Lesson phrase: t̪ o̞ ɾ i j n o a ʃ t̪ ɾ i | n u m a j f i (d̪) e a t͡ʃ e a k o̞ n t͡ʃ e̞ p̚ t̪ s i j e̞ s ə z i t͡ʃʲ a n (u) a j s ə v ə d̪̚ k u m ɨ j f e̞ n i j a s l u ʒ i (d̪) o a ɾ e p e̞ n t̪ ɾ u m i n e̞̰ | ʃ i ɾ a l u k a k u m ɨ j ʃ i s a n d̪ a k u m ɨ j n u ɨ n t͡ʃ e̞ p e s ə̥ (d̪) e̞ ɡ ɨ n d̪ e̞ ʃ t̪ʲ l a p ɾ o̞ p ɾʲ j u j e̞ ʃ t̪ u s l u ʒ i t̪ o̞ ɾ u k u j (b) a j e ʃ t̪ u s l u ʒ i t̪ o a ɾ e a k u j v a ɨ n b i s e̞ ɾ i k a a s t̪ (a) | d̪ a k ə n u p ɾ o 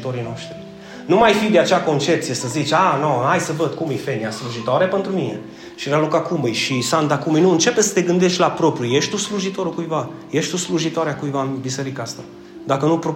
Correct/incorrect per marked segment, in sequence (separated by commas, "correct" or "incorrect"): correct, incorrect, incorrect, incorrect, incorrect, correct